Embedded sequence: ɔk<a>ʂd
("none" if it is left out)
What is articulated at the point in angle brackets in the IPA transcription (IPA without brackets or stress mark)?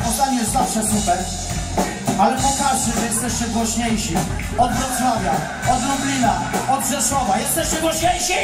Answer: a